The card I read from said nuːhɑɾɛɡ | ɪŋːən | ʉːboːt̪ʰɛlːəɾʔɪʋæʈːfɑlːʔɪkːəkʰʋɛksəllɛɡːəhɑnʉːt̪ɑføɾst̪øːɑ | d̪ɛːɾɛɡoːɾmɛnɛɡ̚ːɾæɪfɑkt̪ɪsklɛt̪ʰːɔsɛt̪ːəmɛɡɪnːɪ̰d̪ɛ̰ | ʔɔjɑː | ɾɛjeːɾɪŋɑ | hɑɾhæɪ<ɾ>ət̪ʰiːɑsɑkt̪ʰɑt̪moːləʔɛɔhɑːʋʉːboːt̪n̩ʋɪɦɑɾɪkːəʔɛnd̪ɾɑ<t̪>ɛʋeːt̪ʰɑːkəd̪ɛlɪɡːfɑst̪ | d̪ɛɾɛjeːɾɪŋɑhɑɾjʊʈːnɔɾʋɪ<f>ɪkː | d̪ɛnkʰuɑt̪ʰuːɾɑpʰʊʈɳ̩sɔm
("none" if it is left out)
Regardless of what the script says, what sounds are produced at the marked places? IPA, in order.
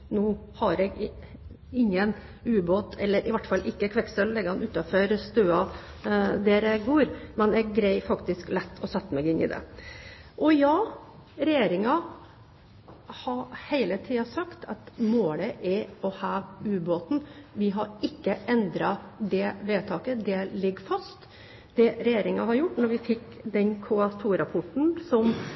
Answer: l, d̪, f

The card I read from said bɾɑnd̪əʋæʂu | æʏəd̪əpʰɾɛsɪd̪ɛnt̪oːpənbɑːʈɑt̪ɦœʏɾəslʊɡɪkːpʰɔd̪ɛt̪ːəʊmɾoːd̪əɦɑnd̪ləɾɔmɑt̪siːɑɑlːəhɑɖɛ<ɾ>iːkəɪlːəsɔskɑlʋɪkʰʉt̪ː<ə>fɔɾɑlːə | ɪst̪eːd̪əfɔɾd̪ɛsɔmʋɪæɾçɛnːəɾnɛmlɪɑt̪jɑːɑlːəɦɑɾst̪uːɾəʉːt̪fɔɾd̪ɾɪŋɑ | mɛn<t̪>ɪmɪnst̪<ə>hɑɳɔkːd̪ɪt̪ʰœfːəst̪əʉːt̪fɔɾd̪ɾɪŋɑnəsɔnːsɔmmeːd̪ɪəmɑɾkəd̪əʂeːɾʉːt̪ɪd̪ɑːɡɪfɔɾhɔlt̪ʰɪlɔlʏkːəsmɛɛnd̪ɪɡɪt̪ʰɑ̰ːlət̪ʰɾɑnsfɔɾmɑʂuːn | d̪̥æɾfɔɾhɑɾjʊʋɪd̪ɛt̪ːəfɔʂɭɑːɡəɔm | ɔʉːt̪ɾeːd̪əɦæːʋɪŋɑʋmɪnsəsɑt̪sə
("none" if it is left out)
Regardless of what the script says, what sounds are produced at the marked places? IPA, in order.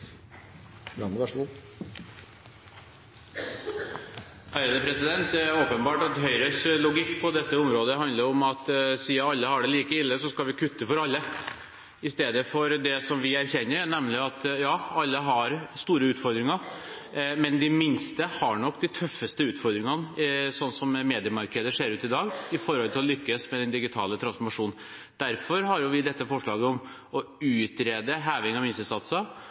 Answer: l, ə, d̪, ə

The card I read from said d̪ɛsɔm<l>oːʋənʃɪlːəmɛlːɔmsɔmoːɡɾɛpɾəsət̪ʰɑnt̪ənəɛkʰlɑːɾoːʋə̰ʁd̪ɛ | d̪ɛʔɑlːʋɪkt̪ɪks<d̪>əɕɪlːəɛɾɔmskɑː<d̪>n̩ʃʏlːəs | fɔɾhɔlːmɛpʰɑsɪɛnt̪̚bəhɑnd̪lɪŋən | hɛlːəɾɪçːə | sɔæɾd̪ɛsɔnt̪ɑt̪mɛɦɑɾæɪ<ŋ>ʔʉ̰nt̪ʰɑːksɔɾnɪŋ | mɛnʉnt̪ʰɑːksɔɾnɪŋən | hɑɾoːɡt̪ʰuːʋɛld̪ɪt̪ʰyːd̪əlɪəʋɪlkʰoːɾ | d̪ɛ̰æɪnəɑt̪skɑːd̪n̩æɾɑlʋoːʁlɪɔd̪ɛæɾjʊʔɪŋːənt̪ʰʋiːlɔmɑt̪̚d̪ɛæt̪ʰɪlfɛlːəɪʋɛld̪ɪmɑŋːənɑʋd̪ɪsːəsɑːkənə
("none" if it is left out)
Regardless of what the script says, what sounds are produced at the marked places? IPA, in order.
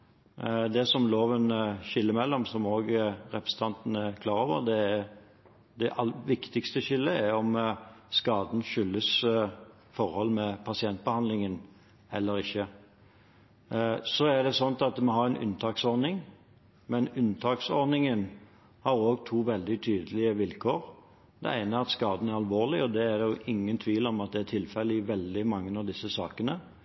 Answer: l, t̪, d̪, n

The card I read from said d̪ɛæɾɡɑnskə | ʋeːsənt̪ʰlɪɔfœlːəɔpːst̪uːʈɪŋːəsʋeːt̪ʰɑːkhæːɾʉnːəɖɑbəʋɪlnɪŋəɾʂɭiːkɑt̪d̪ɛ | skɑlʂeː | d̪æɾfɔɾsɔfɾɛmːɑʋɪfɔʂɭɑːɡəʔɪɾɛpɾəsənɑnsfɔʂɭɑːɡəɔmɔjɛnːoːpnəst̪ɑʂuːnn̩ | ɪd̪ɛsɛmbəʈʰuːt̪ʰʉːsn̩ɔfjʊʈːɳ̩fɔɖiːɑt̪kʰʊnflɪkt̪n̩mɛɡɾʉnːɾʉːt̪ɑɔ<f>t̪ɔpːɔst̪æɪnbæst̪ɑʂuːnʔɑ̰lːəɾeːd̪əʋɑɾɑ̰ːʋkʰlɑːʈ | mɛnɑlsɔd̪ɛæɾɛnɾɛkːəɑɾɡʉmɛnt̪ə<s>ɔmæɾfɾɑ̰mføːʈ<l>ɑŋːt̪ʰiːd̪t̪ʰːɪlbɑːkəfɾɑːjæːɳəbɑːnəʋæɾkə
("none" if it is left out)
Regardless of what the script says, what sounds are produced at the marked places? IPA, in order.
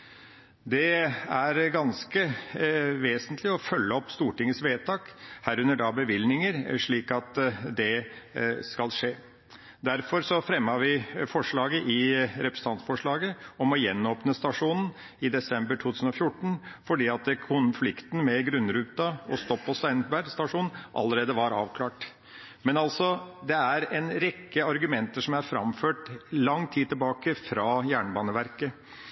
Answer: s, ʂ, l

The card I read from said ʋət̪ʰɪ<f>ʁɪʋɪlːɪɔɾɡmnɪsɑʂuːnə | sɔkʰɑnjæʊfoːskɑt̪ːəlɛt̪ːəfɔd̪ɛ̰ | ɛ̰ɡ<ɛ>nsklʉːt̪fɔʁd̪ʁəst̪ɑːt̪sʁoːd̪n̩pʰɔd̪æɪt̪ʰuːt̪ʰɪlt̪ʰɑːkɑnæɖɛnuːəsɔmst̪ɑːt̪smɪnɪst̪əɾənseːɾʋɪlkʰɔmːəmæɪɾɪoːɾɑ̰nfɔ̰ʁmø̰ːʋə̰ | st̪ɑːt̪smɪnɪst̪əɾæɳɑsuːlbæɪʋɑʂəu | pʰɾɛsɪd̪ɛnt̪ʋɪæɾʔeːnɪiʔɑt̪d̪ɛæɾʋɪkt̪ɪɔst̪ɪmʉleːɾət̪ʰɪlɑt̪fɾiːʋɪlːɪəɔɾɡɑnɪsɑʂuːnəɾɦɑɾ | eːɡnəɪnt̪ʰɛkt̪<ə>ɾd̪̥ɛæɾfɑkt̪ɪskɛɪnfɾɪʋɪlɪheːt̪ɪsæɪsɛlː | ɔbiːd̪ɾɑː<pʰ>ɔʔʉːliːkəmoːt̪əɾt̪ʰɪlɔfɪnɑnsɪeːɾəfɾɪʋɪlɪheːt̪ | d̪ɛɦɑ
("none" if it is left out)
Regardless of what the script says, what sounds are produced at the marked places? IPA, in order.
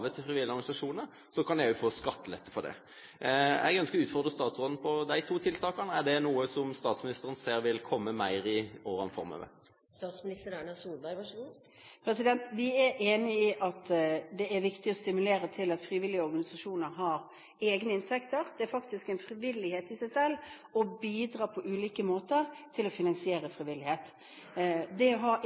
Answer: f, œ, ə, pʰ

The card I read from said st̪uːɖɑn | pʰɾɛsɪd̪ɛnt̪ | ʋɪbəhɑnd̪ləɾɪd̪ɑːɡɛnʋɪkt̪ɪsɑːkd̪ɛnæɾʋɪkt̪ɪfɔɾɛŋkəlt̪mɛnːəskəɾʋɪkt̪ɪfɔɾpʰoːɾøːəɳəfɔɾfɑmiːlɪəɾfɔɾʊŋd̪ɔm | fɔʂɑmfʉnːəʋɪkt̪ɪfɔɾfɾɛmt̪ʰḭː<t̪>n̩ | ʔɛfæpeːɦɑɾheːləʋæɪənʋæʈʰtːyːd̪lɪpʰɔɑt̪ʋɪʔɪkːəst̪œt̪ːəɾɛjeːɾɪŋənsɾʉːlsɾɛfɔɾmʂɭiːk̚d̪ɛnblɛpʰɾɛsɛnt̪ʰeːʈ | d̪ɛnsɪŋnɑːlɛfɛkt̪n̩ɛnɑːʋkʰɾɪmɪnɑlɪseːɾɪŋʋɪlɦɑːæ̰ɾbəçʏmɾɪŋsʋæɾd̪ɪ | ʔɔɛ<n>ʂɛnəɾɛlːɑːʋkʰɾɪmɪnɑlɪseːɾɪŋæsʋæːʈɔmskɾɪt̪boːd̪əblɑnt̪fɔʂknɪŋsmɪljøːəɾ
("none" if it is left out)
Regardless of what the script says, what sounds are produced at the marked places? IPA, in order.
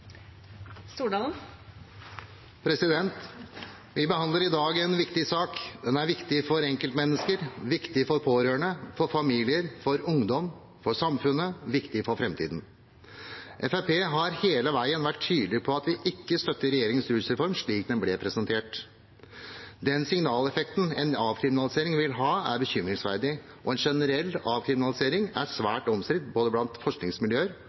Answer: d̪, n

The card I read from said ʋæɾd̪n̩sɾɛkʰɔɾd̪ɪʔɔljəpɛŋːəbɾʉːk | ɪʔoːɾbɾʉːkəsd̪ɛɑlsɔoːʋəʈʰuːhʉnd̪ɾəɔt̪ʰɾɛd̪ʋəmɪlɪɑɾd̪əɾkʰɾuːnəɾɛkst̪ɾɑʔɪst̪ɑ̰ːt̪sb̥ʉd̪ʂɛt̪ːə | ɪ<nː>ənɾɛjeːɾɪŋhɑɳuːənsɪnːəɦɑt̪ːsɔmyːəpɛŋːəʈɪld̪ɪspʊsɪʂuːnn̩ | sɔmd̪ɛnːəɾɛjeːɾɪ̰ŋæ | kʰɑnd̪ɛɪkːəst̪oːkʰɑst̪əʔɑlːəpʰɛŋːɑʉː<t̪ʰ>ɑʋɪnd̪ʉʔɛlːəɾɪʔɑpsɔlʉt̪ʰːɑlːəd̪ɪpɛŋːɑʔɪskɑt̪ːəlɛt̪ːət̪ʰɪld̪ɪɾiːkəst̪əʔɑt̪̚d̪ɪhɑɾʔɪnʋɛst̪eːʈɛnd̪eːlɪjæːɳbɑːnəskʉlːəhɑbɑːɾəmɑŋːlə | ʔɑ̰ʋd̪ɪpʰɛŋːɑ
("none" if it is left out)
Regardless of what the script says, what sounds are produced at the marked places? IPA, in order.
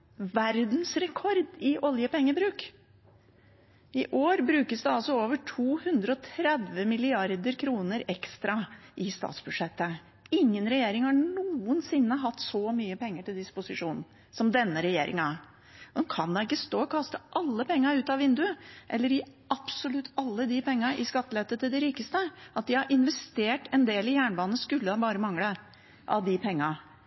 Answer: ŋː, t̪

